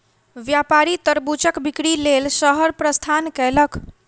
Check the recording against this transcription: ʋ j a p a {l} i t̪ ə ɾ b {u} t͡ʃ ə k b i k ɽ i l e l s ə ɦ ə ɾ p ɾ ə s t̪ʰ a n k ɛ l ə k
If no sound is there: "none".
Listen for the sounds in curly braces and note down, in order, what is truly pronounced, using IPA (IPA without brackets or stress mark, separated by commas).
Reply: ɾ, u